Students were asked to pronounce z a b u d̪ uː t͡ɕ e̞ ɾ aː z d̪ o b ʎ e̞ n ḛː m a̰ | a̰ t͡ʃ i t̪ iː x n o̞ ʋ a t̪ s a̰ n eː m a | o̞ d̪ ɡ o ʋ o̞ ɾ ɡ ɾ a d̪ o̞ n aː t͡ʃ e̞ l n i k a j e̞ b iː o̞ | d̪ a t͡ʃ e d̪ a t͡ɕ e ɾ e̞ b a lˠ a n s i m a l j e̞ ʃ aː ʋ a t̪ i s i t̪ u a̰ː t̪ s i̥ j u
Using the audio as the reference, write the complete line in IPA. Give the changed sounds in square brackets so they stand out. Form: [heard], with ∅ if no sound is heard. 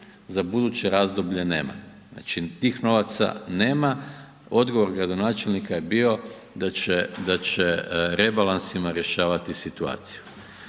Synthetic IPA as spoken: z a b u d̪ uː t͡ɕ e̞ ɾ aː z d̪ o b ʎ e̞ n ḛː m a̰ | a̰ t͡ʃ i t̪ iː x n o̞ ʋ a t̪ s a̰ n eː m a | o̞ d̪ ɡ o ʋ o̞ ɾ ɡ ɾ a d̪ o̞ n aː t͡ʃ e̞ l n i k a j e̞ b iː o̞ | d̪ a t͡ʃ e d̪ a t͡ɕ e ɾ e̞ b a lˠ a n s i m a [ɾ] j e̞ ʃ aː ʋ a t̪ i s i t̪ u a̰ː t̪ s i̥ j u